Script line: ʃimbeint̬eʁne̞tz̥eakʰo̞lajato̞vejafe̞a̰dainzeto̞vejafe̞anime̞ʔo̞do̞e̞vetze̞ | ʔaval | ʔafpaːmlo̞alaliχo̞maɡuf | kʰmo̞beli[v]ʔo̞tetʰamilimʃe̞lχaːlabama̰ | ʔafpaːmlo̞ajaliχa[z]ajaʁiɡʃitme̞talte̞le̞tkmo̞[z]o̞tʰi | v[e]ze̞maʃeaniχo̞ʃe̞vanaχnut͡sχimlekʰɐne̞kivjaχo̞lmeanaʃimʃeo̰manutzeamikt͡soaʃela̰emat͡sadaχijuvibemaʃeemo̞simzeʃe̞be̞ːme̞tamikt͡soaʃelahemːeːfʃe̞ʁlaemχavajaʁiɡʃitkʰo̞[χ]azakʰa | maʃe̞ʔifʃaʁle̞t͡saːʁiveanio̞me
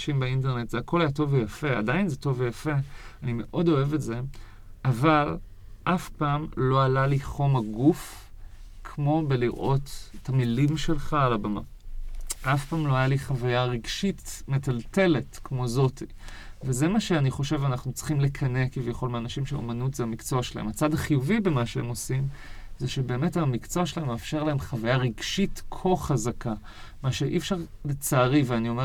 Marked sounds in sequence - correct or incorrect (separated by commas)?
incorrect, incorrect, correct, correct, correct